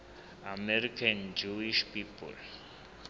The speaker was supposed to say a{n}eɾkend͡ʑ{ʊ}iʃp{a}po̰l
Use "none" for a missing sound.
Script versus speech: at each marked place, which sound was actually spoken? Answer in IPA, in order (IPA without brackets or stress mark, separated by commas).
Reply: m, u, i